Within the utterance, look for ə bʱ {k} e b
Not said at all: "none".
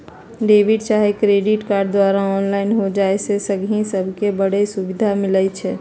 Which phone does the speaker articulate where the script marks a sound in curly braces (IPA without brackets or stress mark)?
k